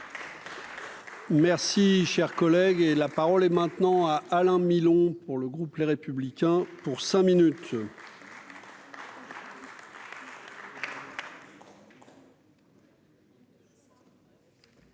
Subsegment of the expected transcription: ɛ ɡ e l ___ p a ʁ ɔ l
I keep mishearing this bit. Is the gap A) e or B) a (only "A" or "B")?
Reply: B